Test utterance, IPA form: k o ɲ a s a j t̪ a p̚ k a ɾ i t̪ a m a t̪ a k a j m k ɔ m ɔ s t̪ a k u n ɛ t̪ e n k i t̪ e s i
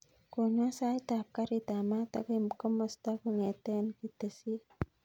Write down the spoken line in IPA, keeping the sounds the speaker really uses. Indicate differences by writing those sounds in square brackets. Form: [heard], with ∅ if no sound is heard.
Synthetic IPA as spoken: k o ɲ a s a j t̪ a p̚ k a ɾ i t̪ a m a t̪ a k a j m k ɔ m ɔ s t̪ a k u [ŋ] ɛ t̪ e n k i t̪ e s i

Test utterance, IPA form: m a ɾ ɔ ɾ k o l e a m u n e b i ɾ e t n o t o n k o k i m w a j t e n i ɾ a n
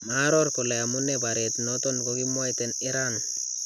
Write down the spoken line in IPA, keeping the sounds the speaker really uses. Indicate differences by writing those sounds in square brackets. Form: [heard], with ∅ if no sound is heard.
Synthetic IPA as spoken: m a ɾ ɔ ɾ k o l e a m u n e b [a] ɾ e t n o t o n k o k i m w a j t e n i ɾ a n

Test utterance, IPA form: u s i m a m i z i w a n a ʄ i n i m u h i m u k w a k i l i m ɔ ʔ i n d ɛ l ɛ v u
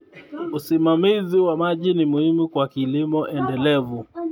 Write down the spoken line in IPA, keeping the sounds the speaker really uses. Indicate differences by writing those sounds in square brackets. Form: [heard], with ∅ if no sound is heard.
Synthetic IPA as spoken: u s i m a m i z i w a [m] a ʄ i n i m u h i m u k w a k i l i m ɔ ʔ [ɛ] n d ɛ l ɛ v u

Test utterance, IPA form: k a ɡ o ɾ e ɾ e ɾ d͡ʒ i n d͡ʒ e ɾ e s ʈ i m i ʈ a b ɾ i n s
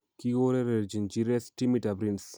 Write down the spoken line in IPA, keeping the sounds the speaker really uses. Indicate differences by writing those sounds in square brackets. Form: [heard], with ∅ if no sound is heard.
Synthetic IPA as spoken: k [i] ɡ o ɾ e ɾ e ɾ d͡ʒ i n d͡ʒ [i] ɾ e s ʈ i m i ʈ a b ɾ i n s

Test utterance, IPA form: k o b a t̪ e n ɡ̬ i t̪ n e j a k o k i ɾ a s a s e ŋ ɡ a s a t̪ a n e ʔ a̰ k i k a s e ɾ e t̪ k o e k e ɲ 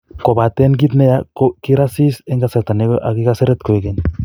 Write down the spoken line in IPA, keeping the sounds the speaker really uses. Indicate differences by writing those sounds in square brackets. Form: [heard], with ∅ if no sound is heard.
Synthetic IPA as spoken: k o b a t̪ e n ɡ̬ i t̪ n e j a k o k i ɾ a s [i] s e ŋ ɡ a s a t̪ a n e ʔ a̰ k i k a s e ɾ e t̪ k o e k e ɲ

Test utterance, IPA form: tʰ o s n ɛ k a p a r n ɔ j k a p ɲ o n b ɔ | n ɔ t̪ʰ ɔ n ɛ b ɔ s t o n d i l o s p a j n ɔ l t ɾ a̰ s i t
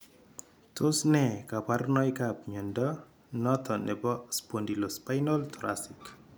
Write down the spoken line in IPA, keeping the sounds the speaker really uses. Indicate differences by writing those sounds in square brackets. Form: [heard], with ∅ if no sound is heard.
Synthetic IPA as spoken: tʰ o s n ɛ k a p a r n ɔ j k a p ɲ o n [d] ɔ | n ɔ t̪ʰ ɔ n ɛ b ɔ s [p] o n d i l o s p a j n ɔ l t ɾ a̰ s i [k]

